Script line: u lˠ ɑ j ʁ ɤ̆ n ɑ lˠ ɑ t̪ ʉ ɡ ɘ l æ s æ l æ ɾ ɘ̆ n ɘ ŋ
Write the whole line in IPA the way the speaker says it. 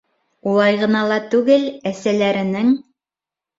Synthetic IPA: u lˠ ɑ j ʁ ɤ̆ n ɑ lˠ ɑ t̪ ʉ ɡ ɘ l æ s æ l æ ɾ ɘ̆ n ɘ ŋ